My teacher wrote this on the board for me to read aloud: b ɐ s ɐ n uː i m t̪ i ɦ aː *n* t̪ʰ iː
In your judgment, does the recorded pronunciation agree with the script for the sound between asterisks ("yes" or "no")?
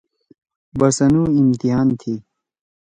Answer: yes